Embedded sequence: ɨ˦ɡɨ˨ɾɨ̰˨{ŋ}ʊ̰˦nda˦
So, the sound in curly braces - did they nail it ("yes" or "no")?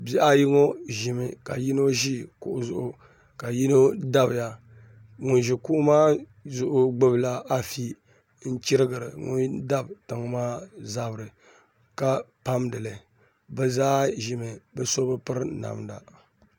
yes